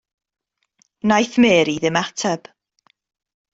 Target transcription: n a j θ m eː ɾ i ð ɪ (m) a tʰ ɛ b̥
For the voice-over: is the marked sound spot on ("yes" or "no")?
yes